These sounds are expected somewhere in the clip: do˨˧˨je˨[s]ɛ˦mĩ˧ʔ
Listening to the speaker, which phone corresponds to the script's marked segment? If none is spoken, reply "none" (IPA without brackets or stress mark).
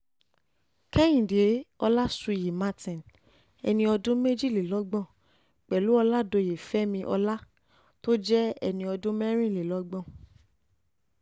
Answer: f